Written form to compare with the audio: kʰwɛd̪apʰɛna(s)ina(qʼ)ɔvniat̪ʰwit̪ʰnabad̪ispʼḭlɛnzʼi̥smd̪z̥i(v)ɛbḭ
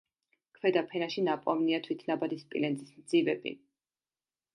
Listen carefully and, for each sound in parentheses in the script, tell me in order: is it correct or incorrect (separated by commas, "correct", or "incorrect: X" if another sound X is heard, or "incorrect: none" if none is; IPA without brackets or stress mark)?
incorrect: ʃ, incorrect: pʼ, correct